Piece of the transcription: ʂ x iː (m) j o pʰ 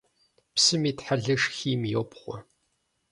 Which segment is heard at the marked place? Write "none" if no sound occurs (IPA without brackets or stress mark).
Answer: m